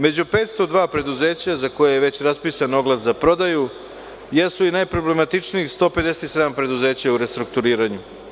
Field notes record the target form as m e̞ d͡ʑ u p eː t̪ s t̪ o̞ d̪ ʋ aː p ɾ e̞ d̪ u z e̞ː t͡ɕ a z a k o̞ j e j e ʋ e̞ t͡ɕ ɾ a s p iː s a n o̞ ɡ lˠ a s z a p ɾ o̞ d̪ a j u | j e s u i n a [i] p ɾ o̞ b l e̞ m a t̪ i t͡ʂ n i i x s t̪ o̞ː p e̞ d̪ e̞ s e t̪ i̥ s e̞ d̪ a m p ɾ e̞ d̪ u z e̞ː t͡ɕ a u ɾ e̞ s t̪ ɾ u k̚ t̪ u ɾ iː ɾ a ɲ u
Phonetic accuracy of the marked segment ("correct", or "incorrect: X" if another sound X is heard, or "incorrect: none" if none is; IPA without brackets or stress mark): incorrect: j